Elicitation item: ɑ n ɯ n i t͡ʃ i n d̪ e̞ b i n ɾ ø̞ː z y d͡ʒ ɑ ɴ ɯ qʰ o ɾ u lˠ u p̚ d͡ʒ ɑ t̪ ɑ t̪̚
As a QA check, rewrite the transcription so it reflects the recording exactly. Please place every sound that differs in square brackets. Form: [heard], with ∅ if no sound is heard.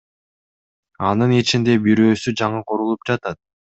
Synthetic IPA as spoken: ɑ n ɯ n i t͡ʃ i n d̪ e̞ b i [∅] ɾ ø̞ː [s] y d͡ʒ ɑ ɴ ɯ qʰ o ɾ u lˠ u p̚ d͡ʒ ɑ t̪ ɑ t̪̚